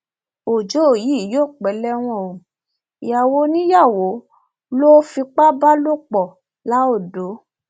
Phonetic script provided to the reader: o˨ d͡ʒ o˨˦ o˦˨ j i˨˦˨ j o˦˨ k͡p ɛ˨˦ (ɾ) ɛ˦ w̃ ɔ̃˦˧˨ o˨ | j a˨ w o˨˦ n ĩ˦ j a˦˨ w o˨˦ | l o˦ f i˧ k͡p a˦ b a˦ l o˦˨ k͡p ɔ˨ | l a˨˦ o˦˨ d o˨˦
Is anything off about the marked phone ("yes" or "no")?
yes